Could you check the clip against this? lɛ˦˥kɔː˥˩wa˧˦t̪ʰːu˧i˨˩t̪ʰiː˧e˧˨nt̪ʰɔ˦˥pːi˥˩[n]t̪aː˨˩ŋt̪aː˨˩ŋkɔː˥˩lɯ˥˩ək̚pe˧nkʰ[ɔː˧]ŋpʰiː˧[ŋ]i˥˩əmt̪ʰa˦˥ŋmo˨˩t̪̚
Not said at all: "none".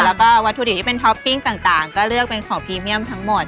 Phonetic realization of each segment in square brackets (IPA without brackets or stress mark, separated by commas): ŋ, ɔː˩˦, m